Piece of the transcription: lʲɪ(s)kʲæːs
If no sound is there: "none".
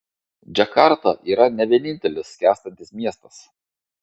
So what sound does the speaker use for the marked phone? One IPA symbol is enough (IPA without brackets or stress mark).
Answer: s